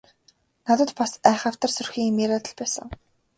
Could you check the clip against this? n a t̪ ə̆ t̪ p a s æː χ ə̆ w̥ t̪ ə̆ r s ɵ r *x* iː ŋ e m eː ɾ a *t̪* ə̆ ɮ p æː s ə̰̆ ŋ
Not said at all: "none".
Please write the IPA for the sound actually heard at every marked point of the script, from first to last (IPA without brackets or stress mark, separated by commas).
x, t̪